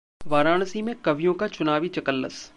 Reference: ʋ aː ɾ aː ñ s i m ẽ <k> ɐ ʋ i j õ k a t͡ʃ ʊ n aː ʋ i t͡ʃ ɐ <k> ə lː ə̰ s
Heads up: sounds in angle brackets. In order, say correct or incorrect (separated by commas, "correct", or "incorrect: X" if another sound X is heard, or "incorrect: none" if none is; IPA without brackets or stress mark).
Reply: correct, correct